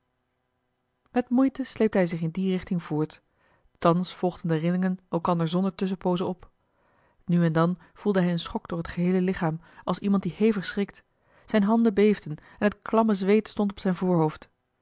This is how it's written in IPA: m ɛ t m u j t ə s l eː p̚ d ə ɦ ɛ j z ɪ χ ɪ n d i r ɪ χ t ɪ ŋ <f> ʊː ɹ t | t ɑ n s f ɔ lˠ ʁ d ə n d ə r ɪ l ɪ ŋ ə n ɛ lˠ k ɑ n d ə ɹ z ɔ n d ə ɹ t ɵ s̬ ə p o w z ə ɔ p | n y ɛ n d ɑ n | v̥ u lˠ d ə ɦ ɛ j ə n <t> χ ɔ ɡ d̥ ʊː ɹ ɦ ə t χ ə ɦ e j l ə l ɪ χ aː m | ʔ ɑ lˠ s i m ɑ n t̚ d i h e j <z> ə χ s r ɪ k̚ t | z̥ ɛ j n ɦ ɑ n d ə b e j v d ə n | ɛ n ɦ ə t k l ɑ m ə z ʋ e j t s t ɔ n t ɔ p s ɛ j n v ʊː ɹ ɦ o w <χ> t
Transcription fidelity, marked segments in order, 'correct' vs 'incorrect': incorrect, incorrect, incorrect, incorrect

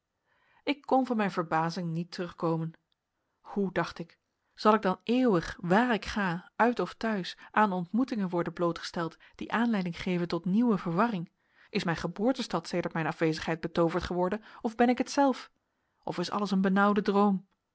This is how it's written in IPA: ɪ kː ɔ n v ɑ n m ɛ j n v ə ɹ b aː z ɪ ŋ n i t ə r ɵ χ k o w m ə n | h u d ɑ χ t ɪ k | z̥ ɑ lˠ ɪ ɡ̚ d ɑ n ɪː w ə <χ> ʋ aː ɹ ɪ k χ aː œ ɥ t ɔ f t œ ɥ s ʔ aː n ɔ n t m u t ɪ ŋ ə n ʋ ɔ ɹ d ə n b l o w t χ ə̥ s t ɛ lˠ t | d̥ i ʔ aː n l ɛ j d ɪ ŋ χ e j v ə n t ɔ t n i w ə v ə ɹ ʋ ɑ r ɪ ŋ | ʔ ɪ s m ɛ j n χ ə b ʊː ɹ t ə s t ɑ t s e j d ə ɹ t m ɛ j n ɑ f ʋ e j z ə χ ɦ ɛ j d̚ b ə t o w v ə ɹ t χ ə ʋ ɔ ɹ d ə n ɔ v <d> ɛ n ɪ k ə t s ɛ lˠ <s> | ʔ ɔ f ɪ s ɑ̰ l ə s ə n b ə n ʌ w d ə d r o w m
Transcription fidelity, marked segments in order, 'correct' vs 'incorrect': correct, incorrect, incorrect

